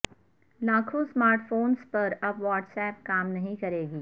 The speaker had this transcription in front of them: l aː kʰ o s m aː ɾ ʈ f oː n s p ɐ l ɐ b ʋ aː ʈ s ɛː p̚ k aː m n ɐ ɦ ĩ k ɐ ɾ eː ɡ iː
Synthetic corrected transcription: l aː kʰ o s m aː ɾ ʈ f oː n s p ɐ ɾ ɐ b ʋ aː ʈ s ɛː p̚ k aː m n ɐ ɦ ĩ k ɐ ɾ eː ɡ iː